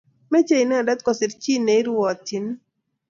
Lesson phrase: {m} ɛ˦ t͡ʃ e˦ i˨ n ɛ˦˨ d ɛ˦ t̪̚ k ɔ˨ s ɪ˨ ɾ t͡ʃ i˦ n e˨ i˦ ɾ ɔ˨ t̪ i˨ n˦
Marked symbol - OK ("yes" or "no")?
yes